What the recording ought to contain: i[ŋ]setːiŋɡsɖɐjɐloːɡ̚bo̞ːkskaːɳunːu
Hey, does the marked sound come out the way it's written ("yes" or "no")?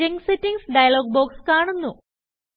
yes